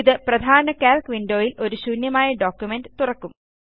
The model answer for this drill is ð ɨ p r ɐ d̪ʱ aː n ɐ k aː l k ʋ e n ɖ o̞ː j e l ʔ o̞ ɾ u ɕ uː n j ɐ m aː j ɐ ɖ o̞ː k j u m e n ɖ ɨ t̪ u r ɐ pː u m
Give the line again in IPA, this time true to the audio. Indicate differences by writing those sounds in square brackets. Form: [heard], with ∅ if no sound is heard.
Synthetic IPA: ð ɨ p r ɐ d̪ʱ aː n ɐ k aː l k ʋ [i] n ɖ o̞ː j [i] l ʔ o̞ ɾ u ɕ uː n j ɐ m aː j ɐ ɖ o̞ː k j u m e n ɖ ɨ t̪ u r ɐ [kː] u m